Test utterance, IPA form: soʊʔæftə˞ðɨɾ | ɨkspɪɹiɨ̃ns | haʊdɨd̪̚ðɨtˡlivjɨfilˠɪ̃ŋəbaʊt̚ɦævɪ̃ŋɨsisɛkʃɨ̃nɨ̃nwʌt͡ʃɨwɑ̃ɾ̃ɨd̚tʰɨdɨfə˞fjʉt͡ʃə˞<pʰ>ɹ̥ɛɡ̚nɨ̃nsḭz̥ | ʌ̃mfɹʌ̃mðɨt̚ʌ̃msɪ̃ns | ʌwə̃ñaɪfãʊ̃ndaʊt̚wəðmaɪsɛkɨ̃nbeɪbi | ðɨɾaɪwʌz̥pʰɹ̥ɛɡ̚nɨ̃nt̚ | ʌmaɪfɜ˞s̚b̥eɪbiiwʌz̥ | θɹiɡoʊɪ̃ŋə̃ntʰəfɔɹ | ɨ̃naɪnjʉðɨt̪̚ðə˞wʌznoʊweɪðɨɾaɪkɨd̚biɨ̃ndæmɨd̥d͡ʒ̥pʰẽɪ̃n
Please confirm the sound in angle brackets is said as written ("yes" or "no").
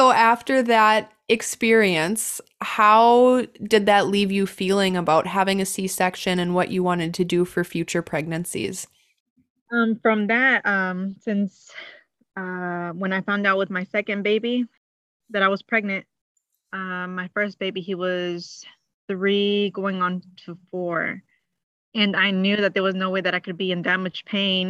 yes